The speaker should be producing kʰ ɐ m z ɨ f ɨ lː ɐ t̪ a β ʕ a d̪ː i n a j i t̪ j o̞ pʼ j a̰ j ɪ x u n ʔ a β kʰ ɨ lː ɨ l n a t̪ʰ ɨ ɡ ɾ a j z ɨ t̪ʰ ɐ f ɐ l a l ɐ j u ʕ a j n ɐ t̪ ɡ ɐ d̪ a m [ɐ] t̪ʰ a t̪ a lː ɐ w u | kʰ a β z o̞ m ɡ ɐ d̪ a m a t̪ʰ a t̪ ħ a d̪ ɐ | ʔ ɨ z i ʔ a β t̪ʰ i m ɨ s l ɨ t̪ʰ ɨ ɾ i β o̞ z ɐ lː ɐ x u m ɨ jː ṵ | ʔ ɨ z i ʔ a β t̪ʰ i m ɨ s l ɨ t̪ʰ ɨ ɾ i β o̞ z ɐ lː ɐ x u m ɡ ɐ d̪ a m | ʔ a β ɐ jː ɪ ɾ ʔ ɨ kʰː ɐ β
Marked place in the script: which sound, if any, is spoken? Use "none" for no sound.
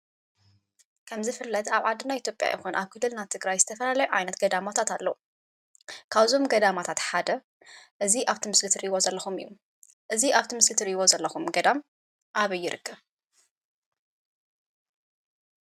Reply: a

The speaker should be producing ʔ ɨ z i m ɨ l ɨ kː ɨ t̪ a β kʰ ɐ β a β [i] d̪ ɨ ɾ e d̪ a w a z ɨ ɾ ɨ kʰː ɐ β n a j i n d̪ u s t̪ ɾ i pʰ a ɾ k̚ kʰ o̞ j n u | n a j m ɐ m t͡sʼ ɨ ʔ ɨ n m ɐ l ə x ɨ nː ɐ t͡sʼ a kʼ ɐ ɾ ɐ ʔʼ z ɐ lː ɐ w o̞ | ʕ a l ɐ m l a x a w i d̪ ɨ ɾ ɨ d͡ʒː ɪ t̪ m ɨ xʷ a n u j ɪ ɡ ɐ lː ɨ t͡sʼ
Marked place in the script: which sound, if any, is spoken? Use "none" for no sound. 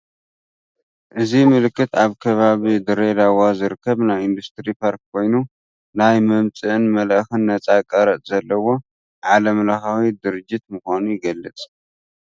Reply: i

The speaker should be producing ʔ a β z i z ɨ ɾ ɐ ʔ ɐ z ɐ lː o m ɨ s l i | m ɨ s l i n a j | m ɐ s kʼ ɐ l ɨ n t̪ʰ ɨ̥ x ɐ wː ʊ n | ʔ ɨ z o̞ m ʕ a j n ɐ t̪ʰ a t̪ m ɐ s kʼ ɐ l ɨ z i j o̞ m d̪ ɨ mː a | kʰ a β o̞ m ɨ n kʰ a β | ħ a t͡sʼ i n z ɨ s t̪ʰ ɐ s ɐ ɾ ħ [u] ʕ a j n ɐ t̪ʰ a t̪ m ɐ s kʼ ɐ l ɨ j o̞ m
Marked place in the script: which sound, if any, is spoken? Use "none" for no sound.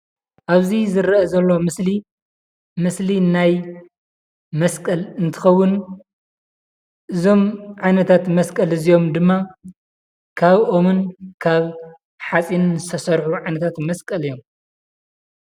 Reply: u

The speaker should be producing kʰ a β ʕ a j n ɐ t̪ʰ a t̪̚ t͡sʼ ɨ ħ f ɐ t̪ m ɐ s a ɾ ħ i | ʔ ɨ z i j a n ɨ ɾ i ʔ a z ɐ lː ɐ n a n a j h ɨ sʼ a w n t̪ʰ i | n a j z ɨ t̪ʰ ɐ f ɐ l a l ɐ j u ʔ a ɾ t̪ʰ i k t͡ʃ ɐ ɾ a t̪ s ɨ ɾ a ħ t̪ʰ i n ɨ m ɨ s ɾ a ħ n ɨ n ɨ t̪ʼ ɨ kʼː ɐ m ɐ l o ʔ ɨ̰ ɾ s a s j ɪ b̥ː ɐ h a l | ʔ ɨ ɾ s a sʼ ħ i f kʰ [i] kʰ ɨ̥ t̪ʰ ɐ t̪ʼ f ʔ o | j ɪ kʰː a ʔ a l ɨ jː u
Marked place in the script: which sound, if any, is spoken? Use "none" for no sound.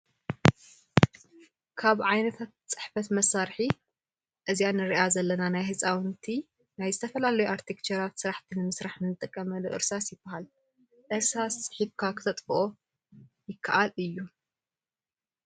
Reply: a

